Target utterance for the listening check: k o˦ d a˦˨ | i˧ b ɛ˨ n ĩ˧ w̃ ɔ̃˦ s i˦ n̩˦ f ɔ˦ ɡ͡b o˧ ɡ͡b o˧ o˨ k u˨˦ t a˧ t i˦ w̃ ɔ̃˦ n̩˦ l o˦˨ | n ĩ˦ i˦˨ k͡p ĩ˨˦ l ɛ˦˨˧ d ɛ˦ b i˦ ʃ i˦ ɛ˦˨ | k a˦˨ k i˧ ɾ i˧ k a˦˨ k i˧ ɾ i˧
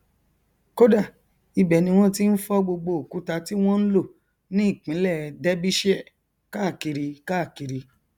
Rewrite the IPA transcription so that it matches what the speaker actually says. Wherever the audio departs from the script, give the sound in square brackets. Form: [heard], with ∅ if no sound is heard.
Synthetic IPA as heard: k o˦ d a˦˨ | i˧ b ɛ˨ n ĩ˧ w̃ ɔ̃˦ [t] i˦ n̩˦ f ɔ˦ ɡ͡b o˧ ɡ͡b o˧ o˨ k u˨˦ t a˧ t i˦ w̃ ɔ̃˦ n̩˦ l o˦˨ | n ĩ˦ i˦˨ k͡p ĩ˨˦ l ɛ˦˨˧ d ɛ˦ b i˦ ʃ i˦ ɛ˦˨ | k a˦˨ k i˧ ɾ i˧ k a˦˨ k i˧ ɾ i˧